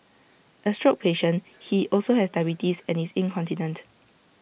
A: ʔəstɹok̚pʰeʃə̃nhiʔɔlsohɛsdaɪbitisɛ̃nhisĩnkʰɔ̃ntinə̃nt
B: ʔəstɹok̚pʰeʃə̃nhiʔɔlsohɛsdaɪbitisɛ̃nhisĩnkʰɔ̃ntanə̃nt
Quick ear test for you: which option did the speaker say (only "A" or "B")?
A